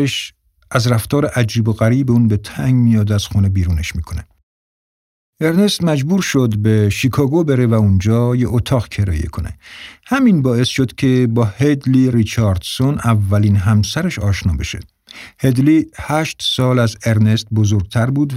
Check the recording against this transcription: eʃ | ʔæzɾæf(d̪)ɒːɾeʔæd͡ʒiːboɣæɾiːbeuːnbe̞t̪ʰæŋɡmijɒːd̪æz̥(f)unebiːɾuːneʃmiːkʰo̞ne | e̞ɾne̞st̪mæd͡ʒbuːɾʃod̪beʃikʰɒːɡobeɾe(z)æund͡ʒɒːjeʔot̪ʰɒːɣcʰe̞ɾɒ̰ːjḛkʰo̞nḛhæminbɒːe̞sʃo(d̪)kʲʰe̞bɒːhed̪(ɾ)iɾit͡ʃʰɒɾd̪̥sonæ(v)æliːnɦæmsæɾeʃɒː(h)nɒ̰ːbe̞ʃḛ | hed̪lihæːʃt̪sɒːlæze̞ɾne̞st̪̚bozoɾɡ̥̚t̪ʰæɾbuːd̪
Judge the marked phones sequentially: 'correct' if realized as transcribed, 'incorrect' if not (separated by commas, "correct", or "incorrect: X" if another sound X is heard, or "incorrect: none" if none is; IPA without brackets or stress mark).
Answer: incorrect: t̪, incorrect: x, incorrect: v, correct, incorrect: l, incorrect: vː, incorrect: ʃ